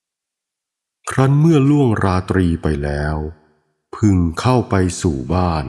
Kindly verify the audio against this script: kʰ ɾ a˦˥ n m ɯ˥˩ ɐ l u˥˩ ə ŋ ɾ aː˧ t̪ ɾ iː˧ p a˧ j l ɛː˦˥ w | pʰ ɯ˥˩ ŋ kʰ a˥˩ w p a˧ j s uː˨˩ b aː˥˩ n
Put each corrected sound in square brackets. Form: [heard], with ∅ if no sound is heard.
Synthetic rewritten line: kʰ ɾ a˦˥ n m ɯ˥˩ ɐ l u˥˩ ə ŋ ɾ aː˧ t̪ ɾ iː˧ p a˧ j l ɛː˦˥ w | pʰ [ɯ˧] ŋ kʰ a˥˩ w p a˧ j s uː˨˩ b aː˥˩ n

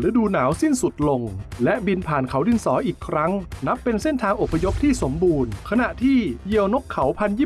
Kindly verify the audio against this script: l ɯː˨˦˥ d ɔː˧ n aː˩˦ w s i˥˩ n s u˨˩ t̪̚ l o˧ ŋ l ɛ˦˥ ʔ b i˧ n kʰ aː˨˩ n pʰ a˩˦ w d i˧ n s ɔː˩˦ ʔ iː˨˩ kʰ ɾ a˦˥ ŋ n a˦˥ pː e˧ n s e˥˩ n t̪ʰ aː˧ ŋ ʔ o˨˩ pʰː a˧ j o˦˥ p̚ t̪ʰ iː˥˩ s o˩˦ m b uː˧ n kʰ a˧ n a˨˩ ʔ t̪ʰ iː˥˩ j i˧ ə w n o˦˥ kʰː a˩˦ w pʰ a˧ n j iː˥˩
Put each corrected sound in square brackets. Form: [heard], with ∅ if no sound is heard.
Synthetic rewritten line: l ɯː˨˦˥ d [uː˧] n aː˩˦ w s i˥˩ n s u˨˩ t̪̚ l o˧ ŋ l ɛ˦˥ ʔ b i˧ n [pʰ] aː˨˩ n [kʰ] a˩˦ w d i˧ n s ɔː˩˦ ʔ iː˨˩ kʰ ɾ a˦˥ ŋ n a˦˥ pː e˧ n s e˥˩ n t̪ʰ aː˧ ŋ ʔ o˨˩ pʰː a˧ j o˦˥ p̚ t̪ʰ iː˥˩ s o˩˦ m b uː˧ n kʰ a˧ n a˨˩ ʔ t̪ʰ iː˥˩ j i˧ ə w n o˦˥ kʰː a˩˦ w pʰ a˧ n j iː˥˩

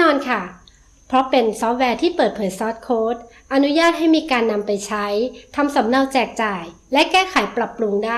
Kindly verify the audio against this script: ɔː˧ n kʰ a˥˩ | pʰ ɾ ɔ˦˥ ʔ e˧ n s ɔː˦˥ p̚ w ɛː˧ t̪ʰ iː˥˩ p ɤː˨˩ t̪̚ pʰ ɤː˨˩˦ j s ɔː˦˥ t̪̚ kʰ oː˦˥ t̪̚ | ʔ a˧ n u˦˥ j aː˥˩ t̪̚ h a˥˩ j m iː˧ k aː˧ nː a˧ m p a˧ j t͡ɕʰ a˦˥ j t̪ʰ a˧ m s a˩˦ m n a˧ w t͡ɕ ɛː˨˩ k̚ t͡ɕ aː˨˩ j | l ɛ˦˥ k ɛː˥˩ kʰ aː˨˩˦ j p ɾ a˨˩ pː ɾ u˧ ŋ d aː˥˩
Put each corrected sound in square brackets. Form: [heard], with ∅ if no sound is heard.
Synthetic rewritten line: ɔː˧ n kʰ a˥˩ | pʰ ɾ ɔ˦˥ [p] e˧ n s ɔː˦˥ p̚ w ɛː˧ t̪ʰ iː˥˩ p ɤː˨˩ t̪̚ pʰ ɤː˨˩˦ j s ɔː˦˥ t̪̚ kʰ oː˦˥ t̪̚ | ʔ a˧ n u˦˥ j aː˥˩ t̪̚ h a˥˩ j m iː˧ k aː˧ nː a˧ m p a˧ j t͡ɕʰ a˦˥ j t̪ʰ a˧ m s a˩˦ m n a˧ w t͡ɕ ɛː˨˩ k̚ t͡ɕ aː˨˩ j | l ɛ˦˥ k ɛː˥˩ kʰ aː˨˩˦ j p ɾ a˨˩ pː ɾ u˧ ŋ d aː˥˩

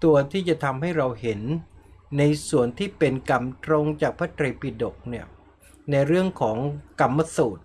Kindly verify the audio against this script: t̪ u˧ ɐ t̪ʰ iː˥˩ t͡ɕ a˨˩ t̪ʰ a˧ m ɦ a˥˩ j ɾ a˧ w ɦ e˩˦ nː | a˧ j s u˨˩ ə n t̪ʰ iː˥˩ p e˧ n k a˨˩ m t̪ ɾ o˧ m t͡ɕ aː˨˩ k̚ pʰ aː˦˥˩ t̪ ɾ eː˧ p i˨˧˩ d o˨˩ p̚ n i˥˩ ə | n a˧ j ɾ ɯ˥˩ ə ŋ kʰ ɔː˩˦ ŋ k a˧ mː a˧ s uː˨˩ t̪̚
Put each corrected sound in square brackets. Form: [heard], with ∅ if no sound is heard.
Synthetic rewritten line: t̪ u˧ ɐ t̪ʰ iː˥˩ t͡ɕ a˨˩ t̪ʰ a˧ m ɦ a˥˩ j ɾ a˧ w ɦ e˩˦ nː | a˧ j s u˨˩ ə n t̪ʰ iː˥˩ p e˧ n k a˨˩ m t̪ ɾ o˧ [ŋ] t͡ɕ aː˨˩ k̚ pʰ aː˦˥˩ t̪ ɾ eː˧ p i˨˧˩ d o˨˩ [k̚] n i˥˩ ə | n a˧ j ɾ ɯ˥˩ ə ŋ kʰ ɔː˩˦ ŋ k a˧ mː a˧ s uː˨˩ t̪̚

